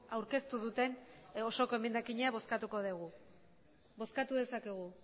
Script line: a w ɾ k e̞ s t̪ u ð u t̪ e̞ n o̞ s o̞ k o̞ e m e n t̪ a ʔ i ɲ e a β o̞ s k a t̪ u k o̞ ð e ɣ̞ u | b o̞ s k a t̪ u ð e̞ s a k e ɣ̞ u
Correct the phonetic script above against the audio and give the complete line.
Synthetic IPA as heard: a w ɾ k e̞ s t̪ u ð u t̪ e̞ n o̞ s o̞ k o̞ e m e n d̪ a k i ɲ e a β o̞ s k a t̪ u k o̞ ð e ɣ̞ u | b o̞ s k a t̪ u ð e̞ s a k e ɣ̞ u